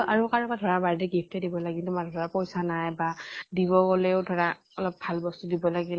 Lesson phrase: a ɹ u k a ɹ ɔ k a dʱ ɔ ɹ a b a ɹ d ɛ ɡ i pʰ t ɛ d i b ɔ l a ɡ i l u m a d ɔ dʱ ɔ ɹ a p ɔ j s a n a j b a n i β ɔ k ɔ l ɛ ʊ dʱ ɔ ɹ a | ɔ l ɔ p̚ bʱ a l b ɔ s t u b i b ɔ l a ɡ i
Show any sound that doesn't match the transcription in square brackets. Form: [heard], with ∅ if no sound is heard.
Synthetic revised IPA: a ɹ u k a ɹ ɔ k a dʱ ɔ ɹ a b a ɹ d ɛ ɡ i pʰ t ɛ d i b ɔ l a ɡ i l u m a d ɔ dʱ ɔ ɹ a p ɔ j s a n a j b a [d] i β ɔ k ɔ l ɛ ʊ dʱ ɔ ɹ a | ɔ l ɔ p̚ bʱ a l b ɔ s t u [d] i b ɔ l a ɡ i